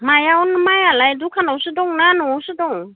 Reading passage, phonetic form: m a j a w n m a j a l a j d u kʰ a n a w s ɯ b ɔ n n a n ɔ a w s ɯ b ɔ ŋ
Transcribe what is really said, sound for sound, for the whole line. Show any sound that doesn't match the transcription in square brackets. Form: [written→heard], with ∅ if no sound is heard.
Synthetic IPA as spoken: m a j a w n m a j a l a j d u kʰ a n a w s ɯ [b→d] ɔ [n→ŋ] n a n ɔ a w s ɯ [b→d] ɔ ŋ